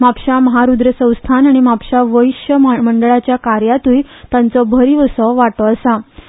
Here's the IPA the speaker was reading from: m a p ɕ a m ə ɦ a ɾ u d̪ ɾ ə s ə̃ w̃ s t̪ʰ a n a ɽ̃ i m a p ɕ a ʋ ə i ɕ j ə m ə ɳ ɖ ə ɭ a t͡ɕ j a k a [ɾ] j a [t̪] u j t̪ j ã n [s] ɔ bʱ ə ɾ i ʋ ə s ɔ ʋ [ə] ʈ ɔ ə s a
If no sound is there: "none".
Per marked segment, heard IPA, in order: ɾ, t̪, t͡s, a

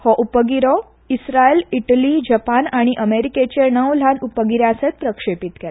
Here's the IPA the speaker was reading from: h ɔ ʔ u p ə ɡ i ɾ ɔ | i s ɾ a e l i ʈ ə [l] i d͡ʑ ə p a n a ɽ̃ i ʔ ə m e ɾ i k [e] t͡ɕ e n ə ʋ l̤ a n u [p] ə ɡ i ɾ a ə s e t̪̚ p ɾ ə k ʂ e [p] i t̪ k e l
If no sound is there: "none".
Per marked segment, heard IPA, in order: l, e, p, p

